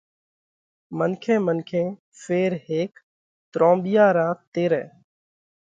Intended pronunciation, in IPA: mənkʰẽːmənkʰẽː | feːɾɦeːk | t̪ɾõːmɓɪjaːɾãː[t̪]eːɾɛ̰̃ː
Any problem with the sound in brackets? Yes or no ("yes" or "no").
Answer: no